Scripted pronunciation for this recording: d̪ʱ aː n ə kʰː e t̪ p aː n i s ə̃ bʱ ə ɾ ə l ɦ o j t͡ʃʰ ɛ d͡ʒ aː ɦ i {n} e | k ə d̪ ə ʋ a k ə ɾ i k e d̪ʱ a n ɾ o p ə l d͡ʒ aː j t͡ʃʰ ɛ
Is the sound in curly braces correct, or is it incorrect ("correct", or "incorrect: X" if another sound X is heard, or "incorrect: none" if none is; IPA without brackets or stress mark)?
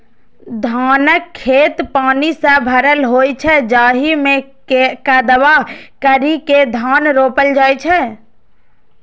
incorrect: m